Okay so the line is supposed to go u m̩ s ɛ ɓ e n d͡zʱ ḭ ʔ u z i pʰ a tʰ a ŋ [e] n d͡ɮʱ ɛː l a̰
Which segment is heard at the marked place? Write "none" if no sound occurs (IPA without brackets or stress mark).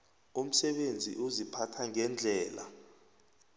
ɛ